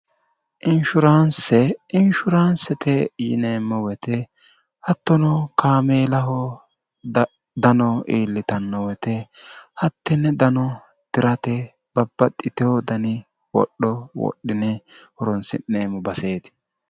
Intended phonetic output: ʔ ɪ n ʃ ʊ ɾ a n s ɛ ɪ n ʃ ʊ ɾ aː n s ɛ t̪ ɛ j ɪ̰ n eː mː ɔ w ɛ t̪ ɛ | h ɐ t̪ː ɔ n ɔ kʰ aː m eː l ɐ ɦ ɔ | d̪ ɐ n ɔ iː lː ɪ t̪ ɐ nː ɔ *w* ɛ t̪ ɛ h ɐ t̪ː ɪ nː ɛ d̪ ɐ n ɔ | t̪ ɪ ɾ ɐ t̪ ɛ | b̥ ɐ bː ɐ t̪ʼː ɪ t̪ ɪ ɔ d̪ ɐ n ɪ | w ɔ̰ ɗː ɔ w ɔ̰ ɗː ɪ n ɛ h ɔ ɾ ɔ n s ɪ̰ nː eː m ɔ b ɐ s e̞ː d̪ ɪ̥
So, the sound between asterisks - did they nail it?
yes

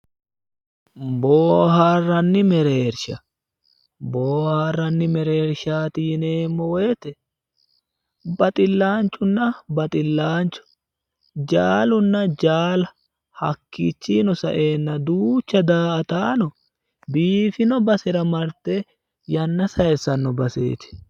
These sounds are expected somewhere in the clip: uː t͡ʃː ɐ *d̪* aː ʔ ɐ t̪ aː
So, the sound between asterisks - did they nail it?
yes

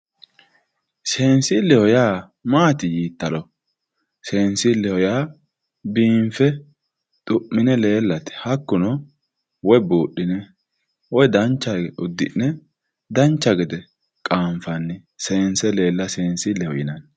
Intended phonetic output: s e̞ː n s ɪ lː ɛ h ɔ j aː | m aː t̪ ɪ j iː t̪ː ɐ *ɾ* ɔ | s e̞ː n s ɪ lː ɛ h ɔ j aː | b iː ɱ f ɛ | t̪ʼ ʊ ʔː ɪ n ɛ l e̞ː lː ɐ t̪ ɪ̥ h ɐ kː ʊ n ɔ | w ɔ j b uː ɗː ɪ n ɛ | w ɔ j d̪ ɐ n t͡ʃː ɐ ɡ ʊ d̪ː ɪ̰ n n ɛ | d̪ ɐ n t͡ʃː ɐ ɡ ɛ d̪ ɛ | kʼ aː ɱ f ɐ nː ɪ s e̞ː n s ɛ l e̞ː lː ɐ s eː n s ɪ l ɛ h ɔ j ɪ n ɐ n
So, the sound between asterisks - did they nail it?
no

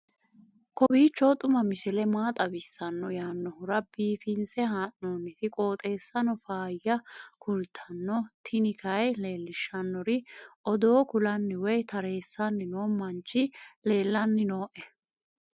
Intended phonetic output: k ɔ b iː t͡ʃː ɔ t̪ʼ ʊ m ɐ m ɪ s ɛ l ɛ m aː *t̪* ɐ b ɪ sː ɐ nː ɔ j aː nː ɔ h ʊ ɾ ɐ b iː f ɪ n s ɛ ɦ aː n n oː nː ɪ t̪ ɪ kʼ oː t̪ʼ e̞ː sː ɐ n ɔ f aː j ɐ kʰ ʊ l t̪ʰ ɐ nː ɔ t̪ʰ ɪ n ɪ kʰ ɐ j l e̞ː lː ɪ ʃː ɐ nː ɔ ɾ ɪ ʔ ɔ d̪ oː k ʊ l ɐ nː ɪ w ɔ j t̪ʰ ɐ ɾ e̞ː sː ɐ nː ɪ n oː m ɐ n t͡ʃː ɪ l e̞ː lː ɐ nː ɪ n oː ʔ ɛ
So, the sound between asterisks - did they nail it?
no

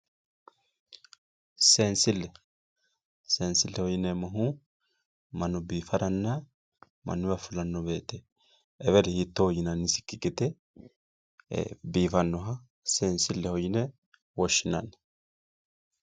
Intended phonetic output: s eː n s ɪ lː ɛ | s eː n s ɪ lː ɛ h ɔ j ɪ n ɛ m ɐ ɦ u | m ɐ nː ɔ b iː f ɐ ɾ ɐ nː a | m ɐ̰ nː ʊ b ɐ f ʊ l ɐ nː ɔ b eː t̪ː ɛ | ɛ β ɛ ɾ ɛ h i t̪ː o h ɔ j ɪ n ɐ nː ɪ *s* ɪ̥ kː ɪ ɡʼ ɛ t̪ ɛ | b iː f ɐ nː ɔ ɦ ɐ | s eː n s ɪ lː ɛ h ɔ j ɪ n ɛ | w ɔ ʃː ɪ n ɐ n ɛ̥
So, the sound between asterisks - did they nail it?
yes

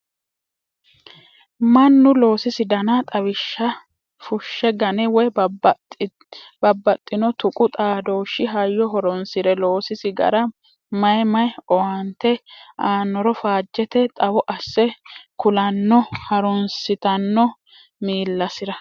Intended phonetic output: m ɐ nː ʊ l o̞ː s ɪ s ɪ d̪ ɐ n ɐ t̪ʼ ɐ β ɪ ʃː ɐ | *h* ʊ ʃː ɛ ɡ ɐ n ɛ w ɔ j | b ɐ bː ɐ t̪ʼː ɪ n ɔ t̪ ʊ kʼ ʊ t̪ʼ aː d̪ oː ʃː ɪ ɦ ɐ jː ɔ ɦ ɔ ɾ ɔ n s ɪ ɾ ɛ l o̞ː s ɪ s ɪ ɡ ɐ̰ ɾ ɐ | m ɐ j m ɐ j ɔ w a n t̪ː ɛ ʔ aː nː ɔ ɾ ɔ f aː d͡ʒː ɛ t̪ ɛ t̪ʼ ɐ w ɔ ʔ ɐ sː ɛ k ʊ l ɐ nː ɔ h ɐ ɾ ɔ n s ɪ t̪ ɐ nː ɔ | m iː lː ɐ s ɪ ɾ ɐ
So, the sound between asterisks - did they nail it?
no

